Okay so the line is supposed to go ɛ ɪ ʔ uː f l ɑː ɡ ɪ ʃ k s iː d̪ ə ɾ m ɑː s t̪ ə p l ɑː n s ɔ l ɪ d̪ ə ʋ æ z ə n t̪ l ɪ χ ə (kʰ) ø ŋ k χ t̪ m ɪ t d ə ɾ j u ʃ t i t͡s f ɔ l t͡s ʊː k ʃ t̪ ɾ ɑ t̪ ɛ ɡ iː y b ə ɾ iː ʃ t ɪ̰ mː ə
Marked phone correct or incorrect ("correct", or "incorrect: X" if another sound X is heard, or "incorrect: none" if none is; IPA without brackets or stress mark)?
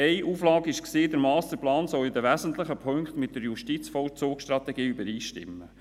incorrect: pʰ